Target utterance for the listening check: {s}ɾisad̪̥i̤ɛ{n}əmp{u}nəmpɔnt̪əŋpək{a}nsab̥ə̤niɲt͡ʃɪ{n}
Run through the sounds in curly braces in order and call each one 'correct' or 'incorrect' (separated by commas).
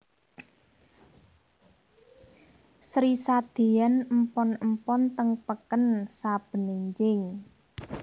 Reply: correct, correct, incorrect, incorrect, incorrect